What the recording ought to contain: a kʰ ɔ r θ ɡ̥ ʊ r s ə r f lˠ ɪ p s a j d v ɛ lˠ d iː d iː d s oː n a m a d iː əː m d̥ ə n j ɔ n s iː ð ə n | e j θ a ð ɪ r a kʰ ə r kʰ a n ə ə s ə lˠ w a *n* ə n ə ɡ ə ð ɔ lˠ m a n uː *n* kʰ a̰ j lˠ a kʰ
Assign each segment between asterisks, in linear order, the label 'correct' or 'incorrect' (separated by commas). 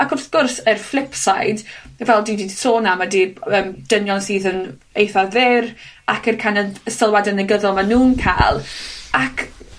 incorrect, correct